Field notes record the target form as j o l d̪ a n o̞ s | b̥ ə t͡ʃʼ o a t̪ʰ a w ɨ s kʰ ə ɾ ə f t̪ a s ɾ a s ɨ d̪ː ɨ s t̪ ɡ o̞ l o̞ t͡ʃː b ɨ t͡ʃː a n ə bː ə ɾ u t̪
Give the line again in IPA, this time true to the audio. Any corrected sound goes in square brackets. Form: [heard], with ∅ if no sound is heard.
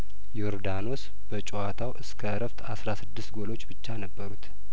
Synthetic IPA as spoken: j o [ɾ] d̪ a n o̞ s | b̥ ə t͡ʃʼ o a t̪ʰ a w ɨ s kʰ ə ɾ ə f t̪ a s ɾ a s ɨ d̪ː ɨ s t̪ ɡ o̞ l o̞ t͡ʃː b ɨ t͡ʃː a n ə bː ə ɾ u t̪